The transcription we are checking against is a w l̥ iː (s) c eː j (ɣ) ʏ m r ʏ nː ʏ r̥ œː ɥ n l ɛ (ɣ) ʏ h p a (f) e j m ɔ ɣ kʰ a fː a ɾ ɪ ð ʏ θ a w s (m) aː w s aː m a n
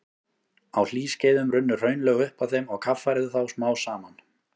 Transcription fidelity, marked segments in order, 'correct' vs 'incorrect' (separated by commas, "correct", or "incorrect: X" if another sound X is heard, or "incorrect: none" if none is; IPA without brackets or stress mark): correct, incorrect: ð, correct, incorrect: θ, correct